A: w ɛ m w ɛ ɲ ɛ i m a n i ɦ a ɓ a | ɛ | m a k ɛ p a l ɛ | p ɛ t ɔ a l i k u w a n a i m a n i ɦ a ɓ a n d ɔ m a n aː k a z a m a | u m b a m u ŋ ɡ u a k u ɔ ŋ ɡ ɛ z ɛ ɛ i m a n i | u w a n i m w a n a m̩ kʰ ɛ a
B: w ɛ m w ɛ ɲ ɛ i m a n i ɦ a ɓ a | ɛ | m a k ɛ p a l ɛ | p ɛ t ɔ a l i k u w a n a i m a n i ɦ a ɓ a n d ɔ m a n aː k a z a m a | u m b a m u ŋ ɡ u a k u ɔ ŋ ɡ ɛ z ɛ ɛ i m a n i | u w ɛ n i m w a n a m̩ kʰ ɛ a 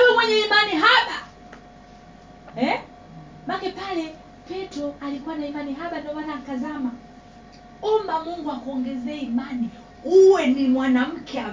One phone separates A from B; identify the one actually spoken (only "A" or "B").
B